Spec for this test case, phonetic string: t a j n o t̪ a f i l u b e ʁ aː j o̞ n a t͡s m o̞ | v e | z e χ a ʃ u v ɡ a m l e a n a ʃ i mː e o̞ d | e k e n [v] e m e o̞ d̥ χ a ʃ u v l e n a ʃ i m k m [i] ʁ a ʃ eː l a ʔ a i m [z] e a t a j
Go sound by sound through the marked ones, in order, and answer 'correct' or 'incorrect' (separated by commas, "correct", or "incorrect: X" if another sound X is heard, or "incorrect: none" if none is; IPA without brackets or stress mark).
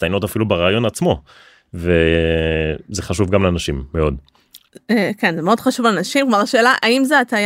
incorrect: z, incorrect: a, correct